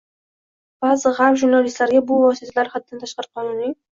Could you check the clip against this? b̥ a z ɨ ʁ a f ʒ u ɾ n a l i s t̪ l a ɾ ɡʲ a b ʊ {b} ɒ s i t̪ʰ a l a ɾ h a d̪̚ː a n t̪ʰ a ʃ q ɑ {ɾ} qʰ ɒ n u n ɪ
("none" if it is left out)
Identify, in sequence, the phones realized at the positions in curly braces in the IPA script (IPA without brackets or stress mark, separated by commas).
v, ɾ